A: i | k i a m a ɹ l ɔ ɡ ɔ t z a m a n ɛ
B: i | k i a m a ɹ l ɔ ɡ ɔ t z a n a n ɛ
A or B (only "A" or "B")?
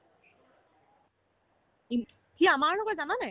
B